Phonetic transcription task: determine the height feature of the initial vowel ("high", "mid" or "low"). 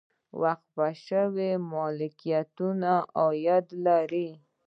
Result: low